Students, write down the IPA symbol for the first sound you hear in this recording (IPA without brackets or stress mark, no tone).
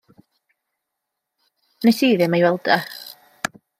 n